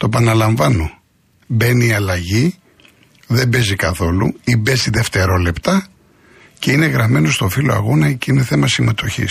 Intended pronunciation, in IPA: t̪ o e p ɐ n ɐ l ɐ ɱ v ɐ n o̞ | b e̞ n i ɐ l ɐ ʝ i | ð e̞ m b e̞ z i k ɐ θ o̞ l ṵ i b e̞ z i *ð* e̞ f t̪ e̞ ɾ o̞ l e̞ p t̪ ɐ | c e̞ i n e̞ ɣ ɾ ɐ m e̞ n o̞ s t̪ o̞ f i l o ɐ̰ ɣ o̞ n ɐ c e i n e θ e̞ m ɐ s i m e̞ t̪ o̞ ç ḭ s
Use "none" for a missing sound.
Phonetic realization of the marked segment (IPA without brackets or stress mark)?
ð